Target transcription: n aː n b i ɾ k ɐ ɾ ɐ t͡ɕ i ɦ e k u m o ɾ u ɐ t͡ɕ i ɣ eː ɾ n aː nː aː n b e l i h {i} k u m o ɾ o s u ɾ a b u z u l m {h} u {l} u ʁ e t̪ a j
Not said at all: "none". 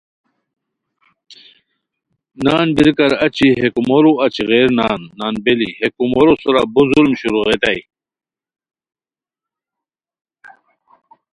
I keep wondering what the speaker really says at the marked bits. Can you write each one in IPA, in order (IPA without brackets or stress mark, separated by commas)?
e, ɕ, ɾ